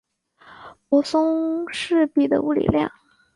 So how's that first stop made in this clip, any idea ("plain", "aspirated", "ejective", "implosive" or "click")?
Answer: plain